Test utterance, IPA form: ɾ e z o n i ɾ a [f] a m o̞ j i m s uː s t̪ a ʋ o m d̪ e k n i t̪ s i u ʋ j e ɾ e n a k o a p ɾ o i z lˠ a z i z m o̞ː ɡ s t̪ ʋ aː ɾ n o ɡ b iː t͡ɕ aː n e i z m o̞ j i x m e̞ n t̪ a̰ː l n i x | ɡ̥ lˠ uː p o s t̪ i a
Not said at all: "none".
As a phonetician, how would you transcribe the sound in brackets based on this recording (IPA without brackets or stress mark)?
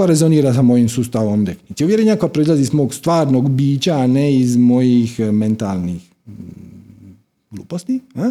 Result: s